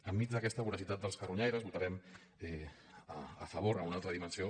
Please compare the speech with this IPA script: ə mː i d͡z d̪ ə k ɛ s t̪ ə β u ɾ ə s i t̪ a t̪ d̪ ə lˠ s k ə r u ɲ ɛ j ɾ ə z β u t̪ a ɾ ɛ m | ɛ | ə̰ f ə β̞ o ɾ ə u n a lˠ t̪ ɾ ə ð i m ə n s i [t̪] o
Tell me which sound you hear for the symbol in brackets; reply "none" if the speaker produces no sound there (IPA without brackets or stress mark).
none